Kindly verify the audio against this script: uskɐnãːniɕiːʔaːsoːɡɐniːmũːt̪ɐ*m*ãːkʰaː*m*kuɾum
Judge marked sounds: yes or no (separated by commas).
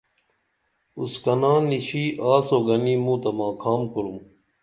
yes, yes